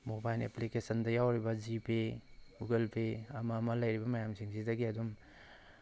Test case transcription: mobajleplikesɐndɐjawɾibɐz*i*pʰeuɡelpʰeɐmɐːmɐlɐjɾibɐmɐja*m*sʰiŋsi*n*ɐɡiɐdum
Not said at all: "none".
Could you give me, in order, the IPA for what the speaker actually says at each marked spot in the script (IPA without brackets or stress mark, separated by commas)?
i, m, d